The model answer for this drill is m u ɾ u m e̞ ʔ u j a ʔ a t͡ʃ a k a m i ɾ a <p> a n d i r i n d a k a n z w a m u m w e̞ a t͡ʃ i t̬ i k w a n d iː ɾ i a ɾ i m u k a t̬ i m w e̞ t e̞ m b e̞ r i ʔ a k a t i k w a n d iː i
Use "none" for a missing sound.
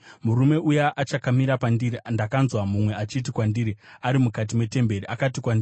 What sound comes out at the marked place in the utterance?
p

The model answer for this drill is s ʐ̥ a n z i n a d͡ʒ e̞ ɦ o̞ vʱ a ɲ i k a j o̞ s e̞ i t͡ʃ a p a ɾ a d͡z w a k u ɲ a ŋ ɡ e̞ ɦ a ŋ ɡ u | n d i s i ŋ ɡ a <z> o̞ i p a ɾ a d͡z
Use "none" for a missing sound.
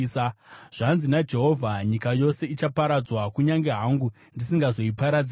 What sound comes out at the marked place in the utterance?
z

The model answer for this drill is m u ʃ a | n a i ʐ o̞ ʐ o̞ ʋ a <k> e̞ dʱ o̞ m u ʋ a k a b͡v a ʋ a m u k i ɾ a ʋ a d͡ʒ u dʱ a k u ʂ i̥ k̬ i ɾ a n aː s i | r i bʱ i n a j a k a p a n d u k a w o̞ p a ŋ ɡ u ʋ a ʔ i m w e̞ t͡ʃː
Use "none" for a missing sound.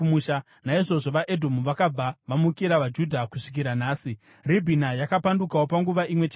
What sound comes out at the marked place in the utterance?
ʔ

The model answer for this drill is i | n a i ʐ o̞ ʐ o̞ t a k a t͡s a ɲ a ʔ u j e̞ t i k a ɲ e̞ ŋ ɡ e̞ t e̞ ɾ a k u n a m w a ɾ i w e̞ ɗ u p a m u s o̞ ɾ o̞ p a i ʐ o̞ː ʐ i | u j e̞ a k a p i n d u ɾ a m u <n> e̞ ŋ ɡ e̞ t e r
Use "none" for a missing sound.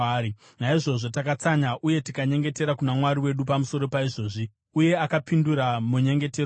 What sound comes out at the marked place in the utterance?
ɲ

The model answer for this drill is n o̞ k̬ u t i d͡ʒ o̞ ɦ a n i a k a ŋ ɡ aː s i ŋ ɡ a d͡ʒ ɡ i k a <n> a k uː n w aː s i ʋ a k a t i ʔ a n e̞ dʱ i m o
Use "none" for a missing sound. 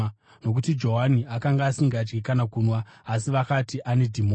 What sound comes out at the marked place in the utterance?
n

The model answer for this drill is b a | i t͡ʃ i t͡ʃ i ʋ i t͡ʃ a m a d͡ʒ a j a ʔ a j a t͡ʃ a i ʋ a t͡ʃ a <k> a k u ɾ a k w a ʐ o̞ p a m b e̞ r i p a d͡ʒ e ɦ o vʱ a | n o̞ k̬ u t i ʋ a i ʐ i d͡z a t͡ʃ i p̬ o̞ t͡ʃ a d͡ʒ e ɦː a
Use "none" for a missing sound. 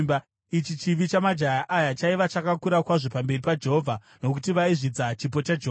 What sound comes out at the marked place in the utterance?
k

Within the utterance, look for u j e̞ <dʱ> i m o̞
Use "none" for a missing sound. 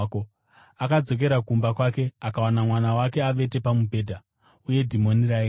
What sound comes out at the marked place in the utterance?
dʱ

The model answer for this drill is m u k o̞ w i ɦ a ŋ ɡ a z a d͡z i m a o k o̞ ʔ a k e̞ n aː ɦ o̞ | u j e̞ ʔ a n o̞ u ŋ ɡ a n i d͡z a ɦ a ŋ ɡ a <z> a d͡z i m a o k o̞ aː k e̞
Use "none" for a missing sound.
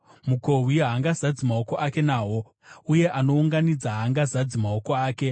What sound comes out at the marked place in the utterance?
z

